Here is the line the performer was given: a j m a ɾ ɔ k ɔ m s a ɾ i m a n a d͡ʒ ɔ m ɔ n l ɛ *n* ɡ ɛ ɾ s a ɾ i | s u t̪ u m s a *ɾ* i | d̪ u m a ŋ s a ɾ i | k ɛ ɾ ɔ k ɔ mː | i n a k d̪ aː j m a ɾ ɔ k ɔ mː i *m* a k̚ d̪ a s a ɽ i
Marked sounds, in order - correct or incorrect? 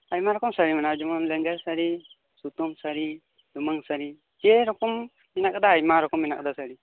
incorrect: ŋ, correct, incorrect: n

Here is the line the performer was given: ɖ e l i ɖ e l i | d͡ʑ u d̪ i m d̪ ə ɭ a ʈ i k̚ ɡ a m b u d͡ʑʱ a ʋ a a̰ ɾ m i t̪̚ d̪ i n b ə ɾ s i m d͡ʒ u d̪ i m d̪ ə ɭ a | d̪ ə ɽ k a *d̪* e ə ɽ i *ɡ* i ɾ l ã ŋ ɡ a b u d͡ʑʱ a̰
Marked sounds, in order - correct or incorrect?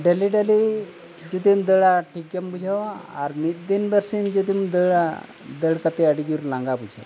incorrect: t̪, correct

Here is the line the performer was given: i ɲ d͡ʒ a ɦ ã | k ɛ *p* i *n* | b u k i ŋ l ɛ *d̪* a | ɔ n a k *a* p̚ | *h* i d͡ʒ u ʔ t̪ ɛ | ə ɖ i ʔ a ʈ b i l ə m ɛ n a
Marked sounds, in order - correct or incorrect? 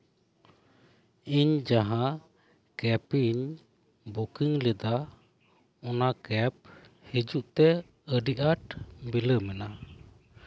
correct, incorrect: ɲ, correct, incorrect: ɛ, correct

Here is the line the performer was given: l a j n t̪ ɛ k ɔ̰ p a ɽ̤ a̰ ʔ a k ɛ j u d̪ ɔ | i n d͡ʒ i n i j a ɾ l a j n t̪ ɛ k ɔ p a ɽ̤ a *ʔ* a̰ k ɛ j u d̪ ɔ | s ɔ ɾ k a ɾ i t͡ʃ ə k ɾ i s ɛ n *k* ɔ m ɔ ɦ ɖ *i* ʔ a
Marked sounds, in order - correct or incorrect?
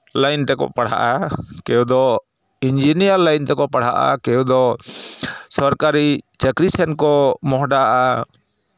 correct, correct, incorrect: a

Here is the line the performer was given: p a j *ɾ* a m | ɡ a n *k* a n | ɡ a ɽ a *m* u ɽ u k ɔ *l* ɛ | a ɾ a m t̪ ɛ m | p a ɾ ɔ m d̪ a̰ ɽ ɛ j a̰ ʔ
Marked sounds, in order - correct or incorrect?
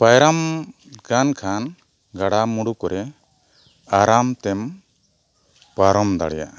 correct, incorrect: kʰ, correct, incorrect: ɾ

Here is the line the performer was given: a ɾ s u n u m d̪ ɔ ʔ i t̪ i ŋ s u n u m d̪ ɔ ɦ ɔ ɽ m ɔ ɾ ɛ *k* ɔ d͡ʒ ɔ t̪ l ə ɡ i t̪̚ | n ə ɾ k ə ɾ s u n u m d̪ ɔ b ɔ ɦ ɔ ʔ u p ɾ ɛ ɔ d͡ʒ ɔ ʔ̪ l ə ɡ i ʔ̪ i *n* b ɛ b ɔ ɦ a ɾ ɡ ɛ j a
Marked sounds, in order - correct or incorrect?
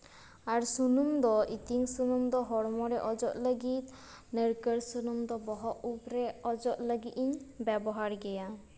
incorrect: ʔ, incorrect: ɲ

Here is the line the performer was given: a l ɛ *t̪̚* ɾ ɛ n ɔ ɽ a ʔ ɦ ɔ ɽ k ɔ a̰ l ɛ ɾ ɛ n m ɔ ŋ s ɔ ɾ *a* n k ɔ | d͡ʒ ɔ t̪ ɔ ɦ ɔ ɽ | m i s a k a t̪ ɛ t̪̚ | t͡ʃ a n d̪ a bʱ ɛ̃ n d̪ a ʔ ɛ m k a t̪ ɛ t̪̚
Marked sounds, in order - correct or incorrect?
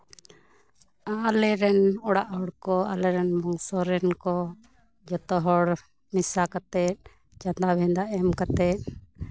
incorrect: none, incorrect: ɛ

